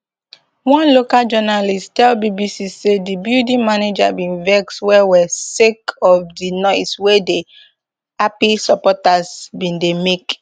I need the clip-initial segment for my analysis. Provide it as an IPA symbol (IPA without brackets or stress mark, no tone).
w